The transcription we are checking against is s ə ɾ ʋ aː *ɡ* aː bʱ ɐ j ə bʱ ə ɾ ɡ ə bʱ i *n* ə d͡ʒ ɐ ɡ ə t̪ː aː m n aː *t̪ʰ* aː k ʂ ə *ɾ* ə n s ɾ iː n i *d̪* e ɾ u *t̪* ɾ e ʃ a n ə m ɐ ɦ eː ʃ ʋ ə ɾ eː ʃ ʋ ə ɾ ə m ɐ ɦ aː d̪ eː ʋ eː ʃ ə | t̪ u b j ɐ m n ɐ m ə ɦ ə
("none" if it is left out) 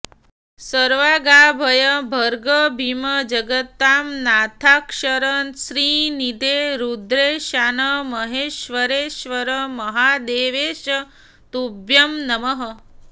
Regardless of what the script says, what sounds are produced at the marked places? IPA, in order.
ɡ, m, t̪ʰ, ɾ, d̪, d̪

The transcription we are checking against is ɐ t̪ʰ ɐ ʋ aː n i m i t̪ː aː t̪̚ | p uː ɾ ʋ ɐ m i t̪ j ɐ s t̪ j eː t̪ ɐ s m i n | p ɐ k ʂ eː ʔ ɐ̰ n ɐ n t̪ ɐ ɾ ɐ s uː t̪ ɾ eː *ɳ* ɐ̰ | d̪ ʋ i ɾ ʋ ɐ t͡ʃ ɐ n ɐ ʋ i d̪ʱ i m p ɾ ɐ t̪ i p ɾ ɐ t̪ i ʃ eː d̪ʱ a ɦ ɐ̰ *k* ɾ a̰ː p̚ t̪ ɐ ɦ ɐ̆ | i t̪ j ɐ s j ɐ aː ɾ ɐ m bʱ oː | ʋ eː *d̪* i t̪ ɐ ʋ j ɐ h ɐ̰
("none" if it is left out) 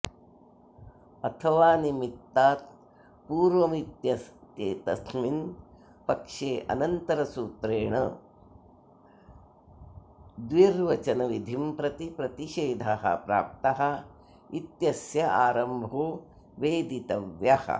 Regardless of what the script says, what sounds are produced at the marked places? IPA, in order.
ɳ, p, d̪

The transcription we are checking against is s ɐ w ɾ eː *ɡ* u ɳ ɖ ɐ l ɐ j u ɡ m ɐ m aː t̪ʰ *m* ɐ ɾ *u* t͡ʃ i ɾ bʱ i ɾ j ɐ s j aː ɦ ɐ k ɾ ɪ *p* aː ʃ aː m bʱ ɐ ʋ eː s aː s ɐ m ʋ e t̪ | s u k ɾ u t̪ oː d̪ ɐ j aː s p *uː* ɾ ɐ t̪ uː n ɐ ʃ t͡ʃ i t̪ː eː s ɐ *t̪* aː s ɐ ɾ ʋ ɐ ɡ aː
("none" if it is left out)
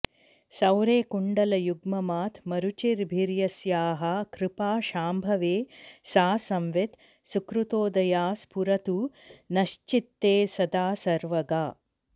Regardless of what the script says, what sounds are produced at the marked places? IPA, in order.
k, m, u, p, u, d̪

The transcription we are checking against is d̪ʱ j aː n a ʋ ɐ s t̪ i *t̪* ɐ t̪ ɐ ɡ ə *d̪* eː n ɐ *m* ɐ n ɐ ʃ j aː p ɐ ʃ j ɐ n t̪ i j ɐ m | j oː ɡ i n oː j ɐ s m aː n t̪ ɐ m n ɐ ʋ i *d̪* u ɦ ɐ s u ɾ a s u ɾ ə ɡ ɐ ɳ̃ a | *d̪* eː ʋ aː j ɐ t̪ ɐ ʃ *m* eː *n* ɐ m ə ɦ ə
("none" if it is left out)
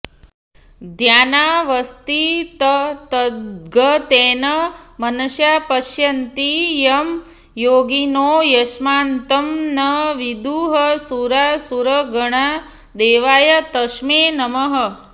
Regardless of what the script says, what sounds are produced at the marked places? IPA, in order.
t̪, t̪, m, d̪, d̪, m, n

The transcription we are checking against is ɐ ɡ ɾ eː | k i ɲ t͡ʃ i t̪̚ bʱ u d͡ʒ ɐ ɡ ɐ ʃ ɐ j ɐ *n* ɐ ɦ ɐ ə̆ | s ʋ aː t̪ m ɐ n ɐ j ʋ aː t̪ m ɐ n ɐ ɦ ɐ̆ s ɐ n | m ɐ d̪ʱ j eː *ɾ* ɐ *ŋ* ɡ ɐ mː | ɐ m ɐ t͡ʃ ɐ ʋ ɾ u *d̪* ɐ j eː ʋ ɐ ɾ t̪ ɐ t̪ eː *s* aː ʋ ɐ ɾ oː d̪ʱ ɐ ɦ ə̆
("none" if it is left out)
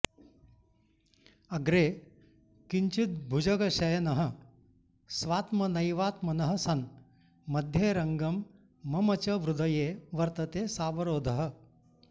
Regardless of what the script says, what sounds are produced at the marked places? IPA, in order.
n, ɾ, ŋ, d̪, s

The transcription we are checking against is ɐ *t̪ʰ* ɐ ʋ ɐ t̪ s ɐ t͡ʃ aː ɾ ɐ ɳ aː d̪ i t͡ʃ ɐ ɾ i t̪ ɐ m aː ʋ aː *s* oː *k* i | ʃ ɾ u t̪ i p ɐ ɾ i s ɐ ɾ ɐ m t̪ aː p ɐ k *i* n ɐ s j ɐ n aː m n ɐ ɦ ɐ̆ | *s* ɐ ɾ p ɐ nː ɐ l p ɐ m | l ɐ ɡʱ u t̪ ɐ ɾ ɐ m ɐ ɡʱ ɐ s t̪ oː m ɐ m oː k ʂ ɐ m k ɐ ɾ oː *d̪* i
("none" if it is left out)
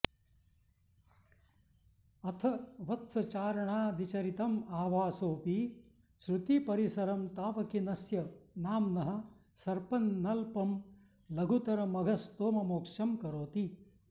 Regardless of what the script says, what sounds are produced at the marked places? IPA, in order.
t̪ʰ, s, p, i, s, t̪

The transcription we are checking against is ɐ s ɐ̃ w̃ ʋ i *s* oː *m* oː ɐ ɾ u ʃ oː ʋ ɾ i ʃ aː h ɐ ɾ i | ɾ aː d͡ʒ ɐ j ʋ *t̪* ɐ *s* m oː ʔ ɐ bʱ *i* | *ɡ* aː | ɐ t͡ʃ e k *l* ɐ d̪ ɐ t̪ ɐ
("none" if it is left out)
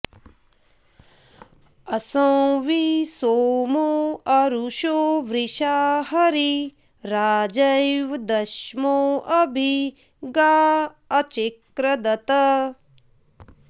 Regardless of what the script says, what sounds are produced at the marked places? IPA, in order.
s, m, d̪, ʃ, i, ɡ, ɾ

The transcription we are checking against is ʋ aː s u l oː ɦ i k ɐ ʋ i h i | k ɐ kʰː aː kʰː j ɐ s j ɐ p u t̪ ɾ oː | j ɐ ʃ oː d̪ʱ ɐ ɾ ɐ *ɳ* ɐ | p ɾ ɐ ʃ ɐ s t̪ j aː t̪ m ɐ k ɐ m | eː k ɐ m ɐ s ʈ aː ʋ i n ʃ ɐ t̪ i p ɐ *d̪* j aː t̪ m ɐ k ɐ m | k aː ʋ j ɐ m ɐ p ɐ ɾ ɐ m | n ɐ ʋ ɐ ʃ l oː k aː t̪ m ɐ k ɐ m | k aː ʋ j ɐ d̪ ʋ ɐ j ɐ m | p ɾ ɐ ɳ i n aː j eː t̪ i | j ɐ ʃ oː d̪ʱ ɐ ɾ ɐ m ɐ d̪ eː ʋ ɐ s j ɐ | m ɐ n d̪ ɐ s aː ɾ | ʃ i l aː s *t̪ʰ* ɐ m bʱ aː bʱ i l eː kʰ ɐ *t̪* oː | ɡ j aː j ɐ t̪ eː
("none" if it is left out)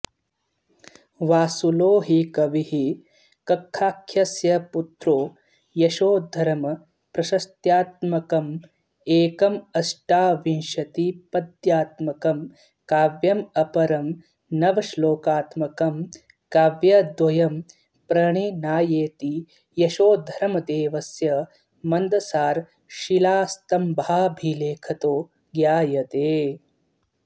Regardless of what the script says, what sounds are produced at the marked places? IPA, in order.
m, d̪, t̪, t̪

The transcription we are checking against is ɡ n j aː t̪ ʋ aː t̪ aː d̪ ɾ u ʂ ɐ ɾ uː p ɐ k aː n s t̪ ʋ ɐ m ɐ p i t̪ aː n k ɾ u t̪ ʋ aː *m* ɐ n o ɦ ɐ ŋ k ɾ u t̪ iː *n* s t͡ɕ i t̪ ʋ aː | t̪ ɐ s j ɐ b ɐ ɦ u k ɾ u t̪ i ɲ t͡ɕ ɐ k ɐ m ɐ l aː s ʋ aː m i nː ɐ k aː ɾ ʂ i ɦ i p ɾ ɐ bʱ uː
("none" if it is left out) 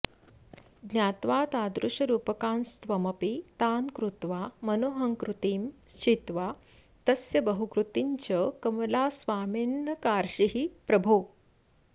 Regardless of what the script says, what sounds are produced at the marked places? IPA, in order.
m, m

